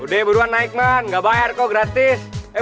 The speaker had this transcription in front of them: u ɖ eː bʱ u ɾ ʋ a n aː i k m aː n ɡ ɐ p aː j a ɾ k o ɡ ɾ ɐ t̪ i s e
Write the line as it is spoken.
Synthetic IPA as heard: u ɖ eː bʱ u ɾ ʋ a n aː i k m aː n ɡ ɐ b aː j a ɾ k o ɡ ɾ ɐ t̪ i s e